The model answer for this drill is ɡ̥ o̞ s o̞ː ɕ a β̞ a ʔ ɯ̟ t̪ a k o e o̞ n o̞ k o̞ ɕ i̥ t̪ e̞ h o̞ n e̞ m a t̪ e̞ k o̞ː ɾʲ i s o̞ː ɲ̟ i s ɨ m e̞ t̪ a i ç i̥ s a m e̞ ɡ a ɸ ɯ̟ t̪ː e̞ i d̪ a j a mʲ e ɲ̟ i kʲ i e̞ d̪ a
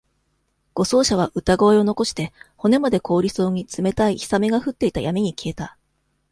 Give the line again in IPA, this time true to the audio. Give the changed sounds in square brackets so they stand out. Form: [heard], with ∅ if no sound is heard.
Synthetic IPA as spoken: ɡ̥ o̞ s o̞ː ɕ a β̞ a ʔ ɯ̟ t̪ a [ɡ] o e o̞ n o̞ k o̞ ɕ i̥ t̪ e̞ h o̞ n e̞ m a [d̪] e̞ k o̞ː ɾʲ i s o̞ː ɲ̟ i [t͡s] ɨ m e̞ t̪ a i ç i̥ s a m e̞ ɡ a ɸ ɯ̟ t̪ː e̞ i [t̪] a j a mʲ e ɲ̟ i kʲ i e̞ [t̪] a

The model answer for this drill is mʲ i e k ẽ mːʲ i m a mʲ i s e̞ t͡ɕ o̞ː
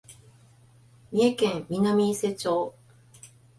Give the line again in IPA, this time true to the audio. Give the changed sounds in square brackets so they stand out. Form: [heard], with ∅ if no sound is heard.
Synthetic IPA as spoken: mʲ i e k ẽ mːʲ i [n] a mʲ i s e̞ t͡ɕ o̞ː

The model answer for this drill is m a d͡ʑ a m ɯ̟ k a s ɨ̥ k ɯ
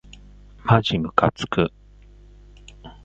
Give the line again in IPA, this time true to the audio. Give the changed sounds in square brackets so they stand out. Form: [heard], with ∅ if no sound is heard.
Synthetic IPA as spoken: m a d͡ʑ [i] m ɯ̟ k a [t͡s] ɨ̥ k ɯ

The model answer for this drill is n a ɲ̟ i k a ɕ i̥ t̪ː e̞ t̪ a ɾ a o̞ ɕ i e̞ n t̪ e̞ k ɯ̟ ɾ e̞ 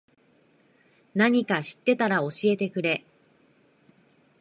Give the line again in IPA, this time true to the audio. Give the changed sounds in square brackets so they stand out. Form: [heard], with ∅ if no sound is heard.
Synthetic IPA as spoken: n a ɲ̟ i k a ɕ i̥ t̪ː e̞ t̪ a ɾ a o̞ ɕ i e̞ [∅] t̪ e̞ k ɯ̟ ɾ e̞

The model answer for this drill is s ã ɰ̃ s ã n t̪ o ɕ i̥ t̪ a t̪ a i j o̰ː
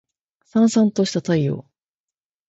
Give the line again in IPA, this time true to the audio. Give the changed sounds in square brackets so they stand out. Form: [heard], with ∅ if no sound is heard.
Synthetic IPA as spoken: s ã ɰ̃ s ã n t̪ o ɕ i̥ t̪ a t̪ a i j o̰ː

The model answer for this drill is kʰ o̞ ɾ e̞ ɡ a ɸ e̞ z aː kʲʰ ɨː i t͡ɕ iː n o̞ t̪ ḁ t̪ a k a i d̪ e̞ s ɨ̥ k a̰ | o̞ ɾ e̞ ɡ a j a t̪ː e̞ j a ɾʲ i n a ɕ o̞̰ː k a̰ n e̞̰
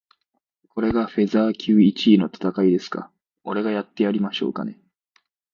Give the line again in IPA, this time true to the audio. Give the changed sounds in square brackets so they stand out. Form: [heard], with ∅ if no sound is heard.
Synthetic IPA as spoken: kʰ o̞ ɾ e̞ ɡ a ɸ e̞ z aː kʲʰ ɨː i t͡ɕ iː n o̞ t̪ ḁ t̪ a k a i d̪ e̞ s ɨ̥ k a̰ | o̞ ɾ e̞ ɡ a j a t̪ː e̞ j a ɾʲ i [m] a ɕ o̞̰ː k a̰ n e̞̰

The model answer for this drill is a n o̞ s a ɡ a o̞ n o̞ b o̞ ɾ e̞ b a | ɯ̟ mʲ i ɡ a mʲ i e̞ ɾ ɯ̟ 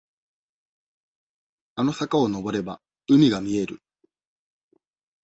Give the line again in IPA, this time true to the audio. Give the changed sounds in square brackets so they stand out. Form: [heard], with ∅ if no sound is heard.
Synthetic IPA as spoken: a n o̞ s a [k] a o̞ n o̞ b o̞ ɾ e̞ b a | ɯ̟ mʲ i ɡ a mʲ i e̞ ɾ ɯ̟

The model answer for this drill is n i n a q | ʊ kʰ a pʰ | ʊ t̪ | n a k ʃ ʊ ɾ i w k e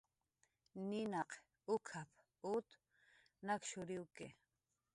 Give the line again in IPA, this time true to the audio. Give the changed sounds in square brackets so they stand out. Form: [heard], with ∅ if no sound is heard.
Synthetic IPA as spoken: n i n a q | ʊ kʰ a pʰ | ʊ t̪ | n a k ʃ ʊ ɾ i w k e

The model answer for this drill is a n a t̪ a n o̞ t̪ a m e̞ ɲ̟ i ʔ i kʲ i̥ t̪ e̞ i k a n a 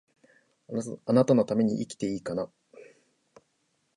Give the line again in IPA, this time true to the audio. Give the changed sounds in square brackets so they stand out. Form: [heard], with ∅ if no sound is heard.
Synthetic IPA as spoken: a n a t̪ a n o̞ t̪ a m e̞ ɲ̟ i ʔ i kʲ i̥ t̪ e̞ [iː] k a n a

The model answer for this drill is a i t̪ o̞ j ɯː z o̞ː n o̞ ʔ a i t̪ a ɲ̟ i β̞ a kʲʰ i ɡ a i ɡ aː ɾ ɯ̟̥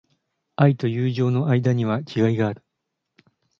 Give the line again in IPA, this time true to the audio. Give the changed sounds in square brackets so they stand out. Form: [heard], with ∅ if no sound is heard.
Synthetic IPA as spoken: a i t̪ o̞ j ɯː [ʑ] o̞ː n o̞ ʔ a i [d̪] a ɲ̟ i β̞ a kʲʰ i ɡ a i ɡ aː ɾ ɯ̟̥

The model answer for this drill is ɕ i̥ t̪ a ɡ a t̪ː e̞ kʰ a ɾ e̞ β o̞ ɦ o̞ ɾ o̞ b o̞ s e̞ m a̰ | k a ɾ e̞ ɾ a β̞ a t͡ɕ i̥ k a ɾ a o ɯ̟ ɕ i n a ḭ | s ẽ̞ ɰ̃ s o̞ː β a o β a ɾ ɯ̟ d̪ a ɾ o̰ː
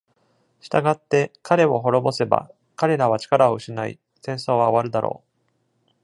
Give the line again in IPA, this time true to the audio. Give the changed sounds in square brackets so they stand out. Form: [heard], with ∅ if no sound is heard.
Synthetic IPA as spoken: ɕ i̥ t̪ a ɡ a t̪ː e̞ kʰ a ɾ e̞ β o̞ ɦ o̞ ɾ o̞ b o̞ s e̞ [b] a̰ | k a ɾ e̞ ɾ a β̞ a t͡ɕ i̥ k a ɾ a o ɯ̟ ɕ i n a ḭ | s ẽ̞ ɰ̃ s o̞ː β a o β a ɾ ɯ̟ d̪ a ɾ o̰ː

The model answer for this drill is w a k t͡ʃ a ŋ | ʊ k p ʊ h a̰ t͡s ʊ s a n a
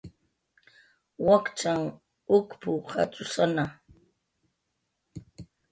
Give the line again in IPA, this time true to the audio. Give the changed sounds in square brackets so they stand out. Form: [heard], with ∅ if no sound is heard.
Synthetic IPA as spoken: w a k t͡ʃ a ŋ | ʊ k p ʊ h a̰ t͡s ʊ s a n a

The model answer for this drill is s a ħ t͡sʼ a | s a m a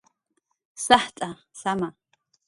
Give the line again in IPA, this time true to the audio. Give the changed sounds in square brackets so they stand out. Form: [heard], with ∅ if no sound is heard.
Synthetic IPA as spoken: s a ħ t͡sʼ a | s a m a

